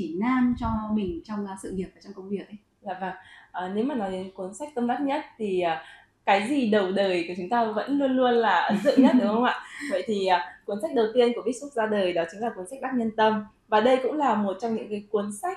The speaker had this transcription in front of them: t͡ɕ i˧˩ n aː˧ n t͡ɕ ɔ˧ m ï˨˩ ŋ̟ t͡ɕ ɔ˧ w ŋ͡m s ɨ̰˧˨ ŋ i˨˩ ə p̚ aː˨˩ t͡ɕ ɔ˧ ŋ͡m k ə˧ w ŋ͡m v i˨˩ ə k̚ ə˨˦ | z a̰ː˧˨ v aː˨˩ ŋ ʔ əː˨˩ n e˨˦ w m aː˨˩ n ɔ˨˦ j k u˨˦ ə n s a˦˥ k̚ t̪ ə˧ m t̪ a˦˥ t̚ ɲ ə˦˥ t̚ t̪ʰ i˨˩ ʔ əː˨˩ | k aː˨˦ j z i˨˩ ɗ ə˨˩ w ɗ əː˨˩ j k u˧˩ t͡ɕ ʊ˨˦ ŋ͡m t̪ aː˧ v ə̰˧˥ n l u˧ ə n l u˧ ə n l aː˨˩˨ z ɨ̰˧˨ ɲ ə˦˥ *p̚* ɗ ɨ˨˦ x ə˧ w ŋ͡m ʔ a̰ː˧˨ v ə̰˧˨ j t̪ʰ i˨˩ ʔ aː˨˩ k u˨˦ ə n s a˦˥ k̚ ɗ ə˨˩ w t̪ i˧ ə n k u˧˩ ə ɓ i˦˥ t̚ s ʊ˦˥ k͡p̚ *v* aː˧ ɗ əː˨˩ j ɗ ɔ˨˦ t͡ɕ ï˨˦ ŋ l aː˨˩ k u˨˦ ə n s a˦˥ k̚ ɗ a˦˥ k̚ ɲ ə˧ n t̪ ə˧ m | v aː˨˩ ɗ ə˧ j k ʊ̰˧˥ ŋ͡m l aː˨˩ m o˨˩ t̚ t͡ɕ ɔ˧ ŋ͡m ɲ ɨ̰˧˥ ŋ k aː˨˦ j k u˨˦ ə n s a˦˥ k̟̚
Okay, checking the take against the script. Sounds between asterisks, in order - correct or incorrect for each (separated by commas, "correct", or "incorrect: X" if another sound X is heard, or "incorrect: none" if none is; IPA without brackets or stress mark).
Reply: incorrect: t̚, incorrect: z